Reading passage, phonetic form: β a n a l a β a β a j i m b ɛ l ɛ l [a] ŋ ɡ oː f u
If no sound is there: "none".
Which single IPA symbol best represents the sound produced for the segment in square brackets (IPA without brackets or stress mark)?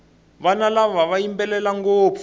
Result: a